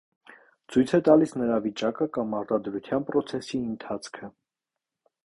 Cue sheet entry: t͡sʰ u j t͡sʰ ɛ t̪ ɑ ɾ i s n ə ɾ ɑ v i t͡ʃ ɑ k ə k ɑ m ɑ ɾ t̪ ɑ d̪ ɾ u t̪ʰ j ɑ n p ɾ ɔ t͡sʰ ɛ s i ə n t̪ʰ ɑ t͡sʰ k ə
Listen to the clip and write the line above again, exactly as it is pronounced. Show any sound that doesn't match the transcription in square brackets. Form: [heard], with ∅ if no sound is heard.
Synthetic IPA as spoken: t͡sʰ u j t͡sʰ ɛ t̪ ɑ [l] i s n ə ɾ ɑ v i t͡ʃ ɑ k ə k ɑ m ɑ ɾ t̪ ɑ d̪ ɾ u t̪ʰ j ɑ n p ɾ ɔ t͡sʰ ɛ s i ə n t̪ʰ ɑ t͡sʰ [kʰ] ə